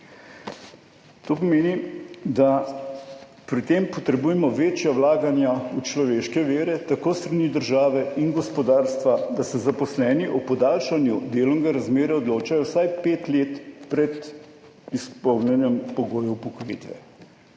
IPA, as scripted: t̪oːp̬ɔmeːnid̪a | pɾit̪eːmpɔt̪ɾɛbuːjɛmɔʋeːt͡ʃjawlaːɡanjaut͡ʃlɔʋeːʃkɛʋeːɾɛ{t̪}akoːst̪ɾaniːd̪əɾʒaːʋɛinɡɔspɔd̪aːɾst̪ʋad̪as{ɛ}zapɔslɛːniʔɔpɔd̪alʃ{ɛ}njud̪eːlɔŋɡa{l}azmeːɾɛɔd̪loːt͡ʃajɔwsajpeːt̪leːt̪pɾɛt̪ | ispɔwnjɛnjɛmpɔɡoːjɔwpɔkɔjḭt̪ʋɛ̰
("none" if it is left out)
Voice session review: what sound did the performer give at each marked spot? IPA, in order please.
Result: t̪, ɛ, a, ɾ

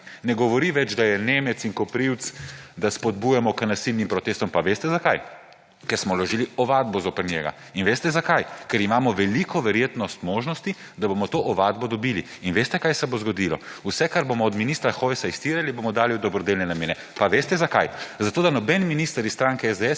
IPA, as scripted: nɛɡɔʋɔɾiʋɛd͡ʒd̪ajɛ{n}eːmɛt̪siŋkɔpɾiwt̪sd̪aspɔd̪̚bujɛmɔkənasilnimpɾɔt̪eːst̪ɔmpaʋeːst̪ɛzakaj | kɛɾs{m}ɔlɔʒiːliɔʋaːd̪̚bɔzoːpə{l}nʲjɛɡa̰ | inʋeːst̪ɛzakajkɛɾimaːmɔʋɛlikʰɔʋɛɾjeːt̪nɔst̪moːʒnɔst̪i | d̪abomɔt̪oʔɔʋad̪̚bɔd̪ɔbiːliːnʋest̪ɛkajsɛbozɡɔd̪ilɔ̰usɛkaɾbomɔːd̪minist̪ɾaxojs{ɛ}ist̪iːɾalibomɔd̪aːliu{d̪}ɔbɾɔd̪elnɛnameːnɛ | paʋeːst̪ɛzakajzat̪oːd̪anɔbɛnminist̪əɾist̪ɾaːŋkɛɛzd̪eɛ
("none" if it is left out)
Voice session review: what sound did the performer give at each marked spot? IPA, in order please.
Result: n, m, ɾ, a, d̪

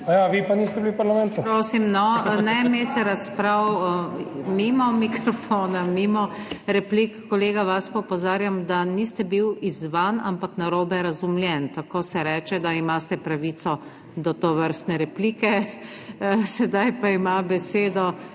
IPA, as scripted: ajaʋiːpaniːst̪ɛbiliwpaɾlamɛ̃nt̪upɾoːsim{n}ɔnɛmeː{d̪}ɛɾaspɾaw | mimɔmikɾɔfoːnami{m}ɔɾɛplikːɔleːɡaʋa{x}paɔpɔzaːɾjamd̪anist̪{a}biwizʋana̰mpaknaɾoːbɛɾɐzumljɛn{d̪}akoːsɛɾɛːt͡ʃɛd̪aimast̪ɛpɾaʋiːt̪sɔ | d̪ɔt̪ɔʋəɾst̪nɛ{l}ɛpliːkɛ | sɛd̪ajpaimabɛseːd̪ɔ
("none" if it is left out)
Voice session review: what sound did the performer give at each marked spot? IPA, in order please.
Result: n, t̪, m, s, ɛ, t̪, ɾ

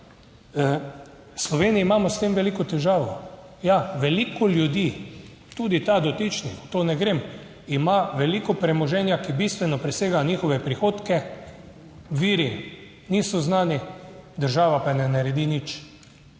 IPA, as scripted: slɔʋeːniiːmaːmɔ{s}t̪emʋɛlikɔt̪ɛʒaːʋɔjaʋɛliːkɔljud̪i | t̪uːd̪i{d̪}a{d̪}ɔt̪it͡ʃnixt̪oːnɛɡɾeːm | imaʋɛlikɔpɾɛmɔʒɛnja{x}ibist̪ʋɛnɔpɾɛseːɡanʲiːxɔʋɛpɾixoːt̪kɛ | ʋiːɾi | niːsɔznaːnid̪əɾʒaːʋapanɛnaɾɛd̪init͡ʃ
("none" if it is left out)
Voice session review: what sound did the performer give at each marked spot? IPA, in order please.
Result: s, t̪, d̪, k

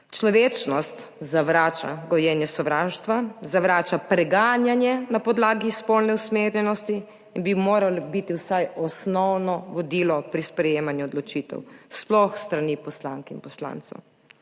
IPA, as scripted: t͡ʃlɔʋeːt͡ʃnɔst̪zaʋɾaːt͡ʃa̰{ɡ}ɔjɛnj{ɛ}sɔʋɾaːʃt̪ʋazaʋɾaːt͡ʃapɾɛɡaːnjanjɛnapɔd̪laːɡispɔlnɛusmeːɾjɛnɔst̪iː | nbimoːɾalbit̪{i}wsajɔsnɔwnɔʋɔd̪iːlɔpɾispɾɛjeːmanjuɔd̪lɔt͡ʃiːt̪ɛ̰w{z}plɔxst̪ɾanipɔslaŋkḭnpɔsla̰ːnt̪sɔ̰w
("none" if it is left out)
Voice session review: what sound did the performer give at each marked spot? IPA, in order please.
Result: ɡ, ɛ, i, s

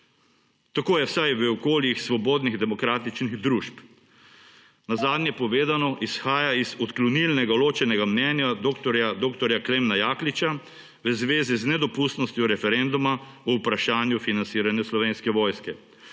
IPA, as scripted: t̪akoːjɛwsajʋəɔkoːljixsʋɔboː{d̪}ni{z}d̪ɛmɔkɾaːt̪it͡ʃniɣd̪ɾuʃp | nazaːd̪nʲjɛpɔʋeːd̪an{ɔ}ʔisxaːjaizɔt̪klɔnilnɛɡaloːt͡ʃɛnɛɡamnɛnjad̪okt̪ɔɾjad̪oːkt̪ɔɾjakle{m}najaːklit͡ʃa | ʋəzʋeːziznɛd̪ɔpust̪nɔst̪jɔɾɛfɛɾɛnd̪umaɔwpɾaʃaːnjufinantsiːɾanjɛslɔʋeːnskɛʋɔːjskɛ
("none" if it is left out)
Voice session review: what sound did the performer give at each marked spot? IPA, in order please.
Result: d̪, ɣ, ɔ, m

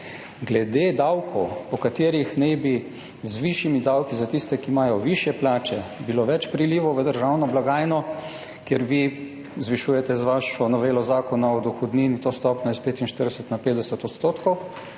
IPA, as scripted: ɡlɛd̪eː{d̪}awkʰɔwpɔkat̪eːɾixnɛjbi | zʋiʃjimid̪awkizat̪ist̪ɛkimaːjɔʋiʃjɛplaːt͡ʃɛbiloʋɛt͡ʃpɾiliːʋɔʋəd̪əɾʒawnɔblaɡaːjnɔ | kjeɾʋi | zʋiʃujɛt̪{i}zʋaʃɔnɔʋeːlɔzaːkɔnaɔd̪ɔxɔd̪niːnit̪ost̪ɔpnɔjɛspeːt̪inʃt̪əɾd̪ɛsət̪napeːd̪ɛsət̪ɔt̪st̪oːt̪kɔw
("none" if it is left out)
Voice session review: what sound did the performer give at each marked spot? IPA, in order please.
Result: d̪, ɛ

